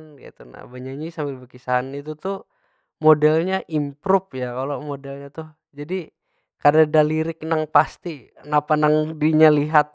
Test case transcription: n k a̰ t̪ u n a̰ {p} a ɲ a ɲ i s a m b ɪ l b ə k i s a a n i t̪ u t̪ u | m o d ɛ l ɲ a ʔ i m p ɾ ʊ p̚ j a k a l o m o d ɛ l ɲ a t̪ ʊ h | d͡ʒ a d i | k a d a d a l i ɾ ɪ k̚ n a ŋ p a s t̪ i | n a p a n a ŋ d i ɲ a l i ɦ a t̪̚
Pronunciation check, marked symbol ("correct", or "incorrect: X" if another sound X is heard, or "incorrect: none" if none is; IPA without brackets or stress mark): incorrect: b